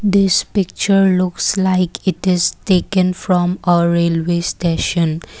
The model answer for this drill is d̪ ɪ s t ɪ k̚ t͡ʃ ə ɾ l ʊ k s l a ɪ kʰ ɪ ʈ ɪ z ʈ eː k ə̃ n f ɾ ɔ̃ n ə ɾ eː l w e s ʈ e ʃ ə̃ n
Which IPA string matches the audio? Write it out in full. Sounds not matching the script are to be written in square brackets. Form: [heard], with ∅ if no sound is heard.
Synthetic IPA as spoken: d̪ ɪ s [p] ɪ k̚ t͡ʃ ə ɾ l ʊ k s l a ɪ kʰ ɪ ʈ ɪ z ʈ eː k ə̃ n f ɾ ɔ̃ [m] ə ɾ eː l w e s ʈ e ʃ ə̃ n